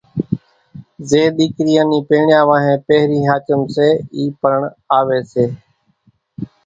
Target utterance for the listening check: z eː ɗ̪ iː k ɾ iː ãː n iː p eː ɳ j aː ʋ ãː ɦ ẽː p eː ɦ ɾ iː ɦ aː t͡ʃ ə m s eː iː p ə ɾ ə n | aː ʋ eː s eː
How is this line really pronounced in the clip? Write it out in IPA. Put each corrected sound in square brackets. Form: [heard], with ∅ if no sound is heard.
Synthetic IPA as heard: z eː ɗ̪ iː k ɾ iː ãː n iː p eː ɳ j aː ʋ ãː ɦ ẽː p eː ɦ ɾ iː ɦ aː t͡ʃ ə m s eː iː p ə ɾ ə [ɳ] | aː ʋ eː s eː